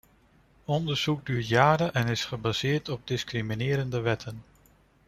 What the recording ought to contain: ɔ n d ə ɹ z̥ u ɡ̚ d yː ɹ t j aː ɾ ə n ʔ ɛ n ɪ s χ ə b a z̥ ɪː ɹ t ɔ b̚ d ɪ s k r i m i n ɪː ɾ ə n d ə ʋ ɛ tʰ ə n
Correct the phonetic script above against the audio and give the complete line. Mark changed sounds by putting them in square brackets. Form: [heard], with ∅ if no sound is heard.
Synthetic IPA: ɔ n d ə ɹ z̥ u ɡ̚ d yː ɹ t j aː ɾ ə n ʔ ɛ n ɪ s χ ə b a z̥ ɪː ɹ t ɔ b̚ d ɪ s k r i m i n ɪː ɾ ə n d ə ʋ ɛ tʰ ə n